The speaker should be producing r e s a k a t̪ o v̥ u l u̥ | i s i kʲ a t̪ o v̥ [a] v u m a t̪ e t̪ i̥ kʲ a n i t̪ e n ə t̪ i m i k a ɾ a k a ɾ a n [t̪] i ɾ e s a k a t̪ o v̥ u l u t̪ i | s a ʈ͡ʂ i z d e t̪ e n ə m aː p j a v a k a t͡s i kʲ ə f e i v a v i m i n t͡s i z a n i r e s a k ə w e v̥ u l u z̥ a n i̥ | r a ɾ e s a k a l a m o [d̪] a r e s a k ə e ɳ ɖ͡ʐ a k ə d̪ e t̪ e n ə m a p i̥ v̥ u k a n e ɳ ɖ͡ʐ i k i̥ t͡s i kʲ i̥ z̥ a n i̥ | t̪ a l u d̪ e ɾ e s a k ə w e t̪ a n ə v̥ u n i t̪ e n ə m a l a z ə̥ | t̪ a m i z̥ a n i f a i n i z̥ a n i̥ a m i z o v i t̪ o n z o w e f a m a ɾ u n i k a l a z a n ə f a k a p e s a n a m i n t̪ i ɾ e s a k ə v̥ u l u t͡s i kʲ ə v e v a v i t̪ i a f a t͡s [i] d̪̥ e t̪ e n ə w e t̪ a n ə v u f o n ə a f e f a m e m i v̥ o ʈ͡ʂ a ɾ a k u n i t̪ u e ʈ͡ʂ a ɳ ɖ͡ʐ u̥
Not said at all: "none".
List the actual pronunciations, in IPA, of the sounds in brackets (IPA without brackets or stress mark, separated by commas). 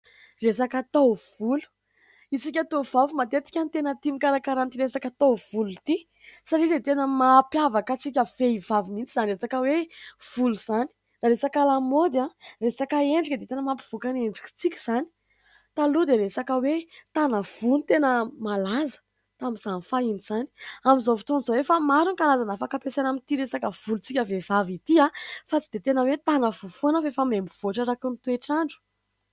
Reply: a, t̪, d̪, i